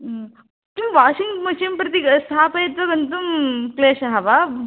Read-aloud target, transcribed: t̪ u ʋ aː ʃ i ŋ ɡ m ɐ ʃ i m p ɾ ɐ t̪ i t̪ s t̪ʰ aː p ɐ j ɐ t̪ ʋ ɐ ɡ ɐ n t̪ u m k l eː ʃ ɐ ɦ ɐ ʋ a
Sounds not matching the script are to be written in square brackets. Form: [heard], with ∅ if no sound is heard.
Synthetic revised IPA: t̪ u ʋ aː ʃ i ŋ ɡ m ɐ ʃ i m p ɾ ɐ t̪ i [∅] s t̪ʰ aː p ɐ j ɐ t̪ ʋ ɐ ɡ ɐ n t̪ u m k l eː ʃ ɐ ɦ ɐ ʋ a